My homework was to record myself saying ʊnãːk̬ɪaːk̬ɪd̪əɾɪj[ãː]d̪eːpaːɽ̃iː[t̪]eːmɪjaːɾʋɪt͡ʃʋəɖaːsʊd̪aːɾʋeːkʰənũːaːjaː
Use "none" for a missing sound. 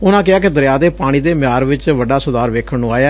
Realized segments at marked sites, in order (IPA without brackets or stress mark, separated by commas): aː, d̪